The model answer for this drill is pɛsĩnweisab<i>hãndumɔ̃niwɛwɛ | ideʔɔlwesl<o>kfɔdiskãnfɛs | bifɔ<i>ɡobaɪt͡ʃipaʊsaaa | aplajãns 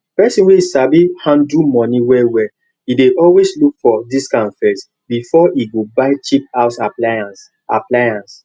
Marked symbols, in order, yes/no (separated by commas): yes, no, yes